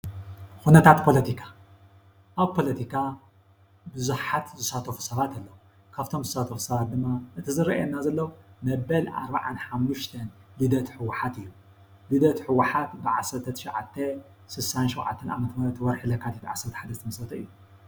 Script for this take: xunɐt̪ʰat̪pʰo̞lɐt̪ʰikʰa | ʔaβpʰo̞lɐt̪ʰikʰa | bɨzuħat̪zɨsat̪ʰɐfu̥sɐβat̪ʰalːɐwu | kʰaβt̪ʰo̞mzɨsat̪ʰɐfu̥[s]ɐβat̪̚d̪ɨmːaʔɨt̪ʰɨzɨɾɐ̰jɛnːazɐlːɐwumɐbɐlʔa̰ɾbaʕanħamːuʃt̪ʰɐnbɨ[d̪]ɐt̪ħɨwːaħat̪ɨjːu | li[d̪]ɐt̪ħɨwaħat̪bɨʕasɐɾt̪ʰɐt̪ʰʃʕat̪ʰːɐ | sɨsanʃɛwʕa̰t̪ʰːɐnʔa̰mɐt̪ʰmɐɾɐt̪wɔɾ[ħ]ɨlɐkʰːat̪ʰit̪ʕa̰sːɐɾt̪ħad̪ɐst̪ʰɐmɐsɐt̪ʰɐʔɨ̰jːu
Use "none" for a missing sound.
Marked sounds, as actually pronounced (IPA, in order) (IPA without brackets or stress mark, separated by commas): s, d̪, d̪, ħ